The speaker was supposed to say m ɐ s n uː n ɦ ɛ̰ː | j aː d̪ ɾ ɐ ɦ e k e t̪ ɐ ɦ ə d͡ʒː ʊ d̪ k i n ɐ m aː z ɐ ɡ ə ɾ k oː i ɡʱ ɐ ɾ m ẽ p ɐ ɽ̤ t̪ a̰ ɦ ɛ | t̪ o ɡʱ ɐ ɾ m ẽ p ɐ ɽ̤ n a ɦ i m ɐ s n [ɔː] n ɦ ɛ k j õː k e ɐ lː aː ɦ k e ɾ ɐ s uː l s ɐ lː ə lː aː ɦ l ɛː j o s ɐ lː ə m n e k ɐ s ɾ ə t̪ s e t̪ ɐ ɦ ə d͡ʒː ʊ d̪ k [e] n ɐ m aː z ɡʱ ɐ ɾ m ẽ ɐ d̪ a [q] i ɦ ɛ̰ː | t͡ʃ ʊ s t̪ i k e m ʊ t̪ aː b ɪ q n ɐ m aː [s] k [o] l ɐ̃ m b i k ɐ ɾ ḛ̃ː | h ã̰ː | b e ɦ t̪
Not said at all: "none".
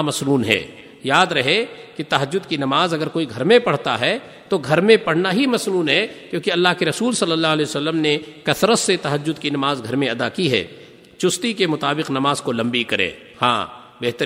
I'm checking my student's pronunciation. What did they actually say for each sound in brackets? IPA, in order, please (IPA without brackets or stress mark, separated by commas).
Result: uː, i, k, z, o